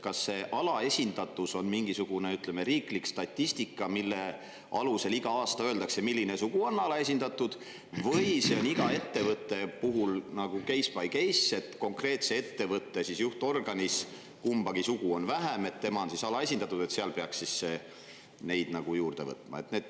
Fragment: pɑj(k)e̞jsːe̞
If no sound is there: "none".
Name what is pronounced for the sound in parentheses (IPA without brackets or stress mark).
k